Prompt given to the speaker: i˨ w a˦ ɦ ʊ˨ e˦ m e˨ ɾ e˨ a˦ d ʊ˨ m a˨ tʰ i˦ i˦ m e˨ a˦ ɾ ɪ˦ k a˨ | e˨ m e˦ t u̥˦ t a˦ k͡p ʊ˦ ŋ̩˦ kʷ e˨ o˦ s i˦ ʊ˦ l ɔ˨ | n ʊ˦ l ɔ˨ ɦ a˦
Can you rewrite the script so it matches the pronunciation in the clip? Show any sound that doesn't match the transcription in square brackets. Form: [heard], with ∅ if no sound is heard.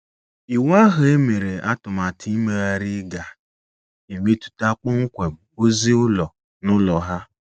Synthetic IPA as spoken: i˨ w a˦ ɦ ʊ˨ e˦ m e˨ ɾ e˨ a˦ [t] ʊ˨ m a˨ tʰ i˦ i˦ m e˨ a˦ ɾ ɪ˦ [ɡ] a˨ | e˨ m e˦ t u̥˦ t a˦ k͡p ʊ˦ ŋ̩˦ kʷ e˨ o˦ [z] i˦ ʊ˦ l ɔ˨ | n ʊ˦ l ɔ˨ ɦ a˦